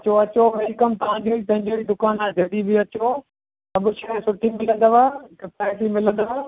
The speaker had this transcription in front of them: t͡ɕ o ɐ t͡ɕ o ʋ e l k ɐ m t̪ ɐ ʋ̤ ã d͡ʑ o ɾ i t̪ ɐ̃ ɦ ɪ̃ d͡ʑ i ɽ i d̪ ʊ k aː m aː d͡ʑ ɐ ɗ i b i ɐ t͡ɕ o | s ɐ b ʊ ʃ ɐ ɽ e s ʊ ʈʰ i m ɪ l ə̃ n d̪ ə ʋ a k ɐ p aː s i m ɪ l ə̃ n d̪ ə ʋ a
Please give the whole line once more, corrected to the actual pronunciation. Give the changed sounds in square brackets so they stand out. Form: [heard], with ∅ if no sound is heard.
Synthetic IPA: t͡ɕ o ɐ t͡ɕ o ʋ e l k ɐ m t̪ ɐ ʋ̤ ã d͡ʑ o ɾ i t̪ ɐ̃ ɦ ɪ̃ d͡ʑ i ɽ i d̪ ʊ k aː [n] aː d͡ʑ ɐ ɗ i b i ɐ t͡ɕ o | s ɐ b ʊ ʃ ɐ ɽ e s ʊ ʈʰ i m ɪ l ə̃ n d̪ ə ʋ a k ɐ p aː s i m ɪ l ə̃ n d̪ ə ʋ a